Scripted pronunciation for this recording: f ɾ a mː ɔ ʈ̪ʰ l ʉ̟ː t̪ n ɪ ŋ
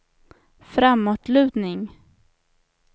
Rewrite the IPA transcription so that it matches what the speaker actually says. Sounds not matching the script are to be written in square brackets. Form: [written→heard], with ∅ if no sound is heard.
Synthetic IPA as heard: f ɾ a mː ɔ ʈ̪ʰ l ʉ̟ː [t̪→d̪] n ɪ ŋ